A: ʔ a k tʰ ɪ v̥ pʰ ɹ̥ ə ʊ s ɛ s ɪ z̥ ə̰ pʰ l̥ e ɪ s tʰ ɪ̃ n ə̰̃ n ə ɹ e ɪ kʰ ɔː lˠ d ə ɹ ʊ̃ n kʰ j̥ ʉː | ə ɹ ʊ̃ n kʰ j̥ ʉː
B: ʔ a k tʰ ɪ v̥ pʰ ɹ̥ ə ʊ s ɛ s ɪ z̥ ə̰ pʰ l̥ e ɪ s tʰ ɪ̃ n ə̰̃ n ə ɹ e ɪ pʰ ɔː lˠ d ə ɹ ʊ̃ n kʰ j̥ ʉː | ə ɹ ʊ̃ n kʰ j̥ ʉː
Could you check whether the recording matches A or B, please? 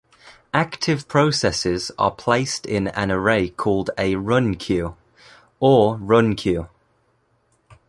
A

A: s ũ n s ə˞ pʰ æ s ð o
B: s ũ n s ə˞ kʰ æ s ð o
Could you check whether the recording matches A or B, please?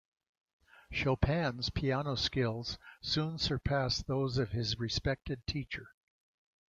A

